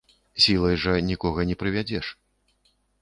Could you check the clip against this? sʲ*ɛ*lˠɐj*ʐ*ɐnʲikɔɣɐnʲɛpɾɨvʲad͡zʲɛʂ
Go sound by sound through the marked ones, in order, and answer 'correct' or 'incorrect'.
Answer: incorrect: i, correct

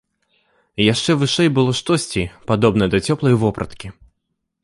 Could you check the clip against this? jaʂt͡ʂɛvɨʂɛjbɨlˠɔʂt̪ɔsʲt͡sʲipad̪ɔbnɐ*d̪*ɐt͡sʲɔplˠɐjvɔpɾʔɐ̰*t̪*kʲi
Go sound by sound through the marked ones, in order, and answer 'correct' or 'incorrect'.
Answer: correct, correct

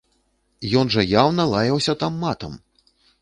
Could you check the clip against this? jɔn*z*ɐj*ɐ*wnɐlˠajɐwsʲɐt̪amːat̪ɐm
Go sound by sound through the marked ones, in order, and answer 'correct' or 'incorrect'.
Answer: incorrect: ʐ, incorrect: a

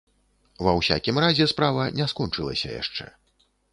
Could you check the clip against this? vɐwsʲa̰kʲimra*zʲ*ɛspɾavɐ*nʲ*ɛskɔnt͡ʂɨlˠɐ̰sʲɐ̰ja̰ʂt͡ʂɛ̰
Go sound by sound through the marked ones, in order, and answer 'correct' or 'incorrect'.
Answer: correct, correct

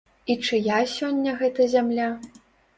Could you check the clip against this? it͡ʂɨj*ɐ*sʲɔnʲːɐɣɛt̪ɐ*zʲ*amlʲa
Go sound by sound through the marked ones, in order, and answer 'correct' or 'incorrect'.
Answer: incorrect: a, correct

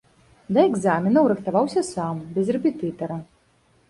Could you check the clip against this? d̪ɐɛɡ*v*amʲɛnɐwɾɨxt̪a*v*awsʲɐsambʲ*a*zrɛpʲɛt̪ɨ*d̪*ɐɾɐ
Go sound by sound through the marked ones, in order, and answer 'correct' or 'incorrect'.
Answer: incorrect: z, correct, incorrect: ɛ, incorrect: t̪

